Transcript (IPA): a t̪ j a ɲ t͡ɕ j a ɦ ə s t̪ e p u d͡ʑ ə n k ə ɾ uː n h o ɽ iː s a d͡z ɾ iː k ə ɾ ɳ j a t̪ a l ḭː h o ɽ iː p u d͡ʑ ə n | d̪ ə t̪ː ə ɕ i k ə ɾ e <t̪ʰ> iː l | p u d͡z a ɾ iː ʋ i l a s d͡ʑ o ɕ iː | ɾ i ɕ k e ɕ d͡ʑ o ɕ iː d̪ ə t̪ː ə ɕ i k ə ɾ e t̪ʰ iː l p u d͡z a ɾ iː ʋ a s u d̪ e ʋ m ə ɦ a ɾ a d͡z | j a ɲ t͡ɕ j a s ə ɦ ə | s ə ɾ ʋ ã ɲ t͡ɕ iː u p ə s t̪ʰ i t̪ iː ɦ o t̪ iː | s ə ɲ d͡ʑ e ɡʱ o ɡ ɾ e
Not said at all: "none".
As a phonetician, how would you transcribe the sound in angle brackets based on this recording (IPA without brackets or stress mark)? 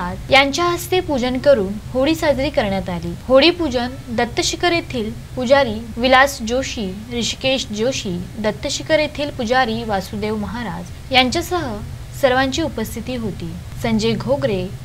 t̪ʰ